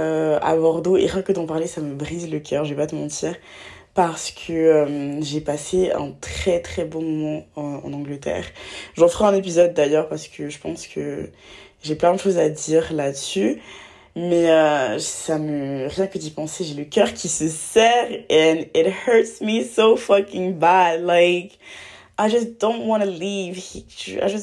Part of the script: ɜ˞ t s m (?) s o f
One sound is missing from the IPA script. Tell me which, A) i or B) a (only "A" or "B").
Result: A